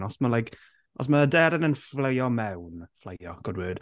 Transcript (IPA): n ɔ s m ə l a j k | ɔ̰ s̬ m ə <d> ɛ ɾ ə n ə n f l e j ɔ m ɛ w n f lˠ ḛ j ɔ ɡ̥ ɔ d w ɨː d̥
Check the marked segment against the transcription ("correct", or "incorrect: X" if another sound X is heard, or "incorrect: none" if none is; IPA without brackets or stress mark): correct